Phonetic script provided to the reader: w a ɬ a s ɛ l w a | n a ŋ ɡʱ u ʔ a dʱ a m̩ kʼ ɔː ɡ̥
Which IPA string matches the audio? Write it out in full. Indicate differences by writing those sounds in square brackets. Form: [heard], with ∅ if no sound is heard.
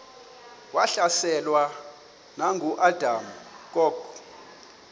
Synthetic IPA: w a ɬ a s ɛ l w a | n a ŋ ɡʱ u ʔ a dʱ a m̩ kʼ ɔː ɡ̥